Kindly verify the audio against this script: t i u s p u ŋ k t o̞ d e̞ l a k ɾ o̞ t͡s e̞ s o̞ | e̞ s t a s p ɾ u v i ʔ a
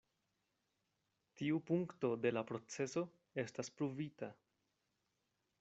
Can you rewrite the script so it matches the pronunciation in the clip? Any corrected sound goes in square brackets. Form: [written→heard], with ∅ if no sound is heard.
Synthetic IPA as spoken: t i u [s→∅] p u ŋ k t o̞ d e̞ l a [k→p] ɾ o̞ t͡s e̞ s o̞ | e̞ s t a s p ɾ u v i [ʔ→t] a